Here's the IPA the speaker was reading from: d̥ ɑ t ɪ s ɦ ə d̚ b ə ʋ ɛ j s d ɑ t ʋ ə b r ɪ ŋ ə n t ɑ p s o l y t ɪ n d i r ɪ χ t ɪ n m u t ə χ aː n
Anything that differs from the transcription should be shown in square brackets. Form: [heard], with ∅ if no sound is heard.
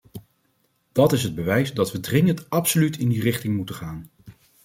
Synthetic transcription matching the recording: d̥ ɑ t ɪ s ɦ ə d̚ b ə ʋ ɛ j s d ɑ t ʋ ə [d] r ɪ ŋ ə n t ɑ p s o l y t ɪ n d i r ɪ χ t ɪ [ŋ] m u t ə χ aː n